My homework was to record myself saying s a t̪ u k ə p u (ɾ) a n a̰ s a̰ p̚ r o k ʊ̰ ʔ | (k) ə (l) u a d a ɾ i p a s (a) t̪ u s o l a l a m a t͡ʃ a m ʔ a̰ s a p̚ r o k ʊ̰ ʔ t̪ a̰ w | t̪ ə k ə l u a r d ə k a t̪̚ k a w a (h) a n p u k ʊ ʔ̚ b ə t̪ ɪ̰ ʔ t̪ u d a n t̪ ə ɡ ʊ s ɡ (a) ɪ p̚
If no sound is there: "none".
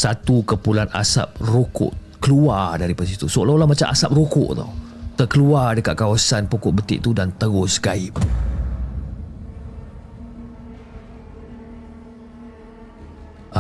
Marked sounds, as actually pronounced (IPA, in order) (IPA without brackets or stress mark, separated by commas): l, k, l, i, s, a